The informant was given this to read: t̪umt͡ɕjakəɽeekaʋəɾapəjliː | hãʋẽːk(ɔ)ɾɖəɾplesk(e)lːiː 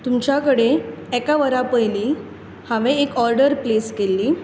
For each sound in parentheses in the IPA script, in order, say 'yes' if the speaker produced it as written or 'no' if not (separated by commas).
yes, yes